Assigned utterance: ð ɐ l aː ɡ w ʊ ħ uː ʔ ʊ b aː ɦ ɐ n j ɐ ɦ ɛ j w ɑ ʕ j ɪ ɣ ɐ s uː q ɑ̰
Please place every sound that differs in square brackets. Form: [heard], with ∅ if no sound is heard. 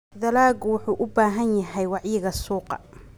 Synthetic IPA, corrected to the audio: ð ɐ l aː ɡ w ʊ ħ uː ʔ ʊ b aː ɦ ɐ n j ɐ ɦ ɛ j w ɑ ʕ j ɪ ɣ ɐ s uː q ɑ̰